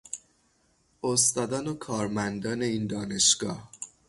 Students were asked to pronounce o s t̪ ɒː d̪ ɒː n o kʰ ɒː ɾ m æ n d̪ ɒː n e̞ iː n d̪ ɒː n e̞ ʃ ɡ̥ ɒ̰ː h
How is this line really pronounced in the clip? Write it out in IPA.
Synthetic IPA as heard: o s t̪ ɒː d̪ ɒː n o kʰ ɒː ɾ m æ n d̪ ɒː n e̞ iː n d̪ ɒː n e̞ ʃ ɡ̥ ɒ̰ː h